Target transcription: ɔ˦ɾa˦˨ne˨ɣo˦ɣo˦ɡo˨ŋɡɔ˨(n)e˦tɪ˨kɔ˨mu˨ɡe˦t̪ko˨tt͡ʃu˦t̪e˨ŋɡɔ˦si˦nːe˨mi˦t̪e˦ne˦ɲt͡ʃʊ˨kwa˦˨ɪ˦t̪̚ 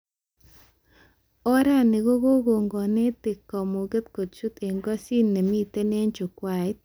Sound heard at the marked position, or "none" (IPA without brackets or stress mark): n